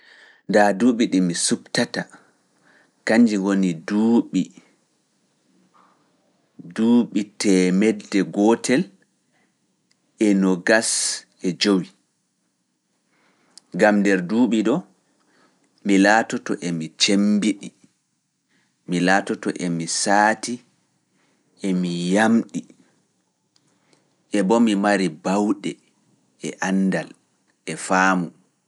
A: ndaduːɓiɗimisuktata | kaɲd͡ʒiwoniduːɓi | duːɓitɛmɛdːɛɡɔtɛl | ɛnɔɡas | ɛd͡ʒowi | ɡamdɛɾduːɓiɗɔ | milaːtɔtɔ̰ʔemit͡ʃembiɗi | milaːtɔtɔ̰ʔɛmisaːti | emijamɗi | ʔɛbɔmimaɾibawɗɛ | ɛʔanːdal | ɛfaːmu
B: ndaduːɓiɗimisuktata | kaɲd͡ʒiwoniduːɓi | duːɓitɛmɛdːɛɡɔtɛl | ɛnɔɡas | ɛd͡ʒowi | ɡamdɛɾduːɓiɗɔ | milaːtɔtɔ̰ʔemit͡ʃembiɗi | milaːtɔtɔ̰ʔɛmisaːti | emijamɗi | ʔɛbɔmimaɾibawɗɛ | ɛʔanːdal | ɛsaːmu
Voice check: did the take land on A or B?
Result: A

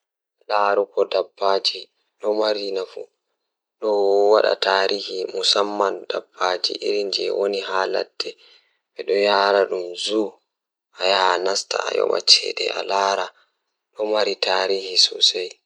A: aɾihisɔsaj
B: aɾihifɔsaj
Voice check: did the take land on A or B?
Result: A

